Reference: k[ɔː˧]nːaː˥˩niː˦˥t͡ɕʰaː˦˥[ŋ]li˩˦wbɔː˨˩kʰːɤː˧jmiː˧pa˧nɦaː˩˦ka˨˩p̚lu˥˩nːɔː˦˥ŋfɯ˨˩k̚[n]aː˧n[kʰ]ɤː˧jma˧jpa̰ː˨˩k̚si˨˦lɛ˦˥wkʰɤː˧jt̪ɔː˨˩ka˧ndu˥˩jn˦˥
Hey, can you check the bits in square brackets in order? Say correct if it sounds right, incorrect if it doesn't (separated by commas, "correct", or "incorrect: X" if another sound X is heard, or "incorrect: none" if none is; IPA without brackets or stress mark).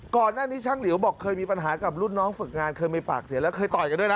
incorrect: ɔː˨˩, correct, incorrect: ŋ, correct